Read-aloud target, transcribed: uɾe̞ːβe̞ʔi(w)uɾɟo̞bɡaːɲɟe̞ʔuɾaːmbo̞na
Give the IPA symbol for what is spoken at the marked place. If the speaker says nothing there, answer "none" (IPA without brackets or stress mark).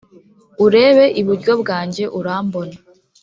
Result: β